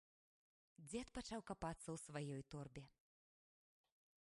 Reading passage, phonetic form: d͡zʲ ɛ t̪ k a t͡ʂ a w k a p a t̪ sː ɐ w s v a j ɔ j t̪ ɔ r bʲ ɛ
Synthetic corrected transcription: d͡zʲ ɛ t̪ p a t͡ʂ a w k a p a t̪ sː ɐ w s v a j ɔ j t̪ ɔ r bʲ ɛ